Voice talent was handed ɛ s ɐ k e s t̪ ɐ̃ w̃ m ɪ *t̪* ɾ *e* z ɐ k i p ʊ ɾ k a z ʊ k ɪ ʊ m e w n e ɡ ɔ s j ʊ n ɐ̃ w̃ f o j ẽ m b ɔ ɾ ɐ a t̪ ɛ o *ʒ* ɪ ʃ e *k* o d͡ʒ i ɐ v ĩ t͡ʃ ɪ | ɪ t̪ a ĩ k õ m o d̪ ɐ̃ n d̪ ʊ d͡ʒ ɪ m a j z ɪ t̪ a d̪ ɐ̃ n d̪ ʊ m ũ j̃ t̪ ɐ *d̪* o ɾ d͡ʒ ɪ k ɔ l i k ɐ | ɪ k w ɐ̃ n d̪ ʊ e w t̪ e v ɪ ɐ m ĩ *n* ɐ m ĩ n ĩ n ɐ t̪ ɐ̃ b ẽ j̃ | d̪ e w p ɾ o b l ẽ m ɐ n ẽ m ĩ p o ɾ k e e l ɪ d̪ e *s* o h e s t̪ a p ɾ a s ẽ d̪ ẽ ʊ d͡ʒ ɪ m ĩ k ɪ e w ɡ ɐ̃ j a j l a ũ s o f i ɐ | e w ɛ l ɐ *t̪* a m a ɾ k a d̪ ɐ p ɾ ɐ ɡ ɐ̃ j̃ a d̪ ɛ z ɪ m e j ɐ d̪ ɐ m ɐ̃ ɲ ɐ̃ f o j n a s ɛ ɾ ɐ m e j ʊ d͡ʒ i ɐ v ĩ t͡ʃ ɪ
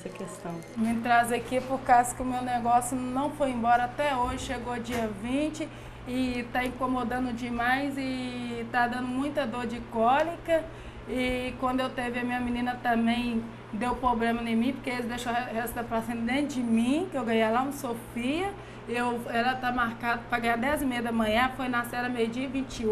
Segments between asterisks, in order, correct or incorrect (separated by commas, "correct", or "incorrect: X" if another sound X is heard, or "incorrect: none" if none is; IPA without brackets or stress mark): correct, incorrect: a, correct, incorrect: ɡ, correct, incorrect: ɲ, incorrect: ʃ, correct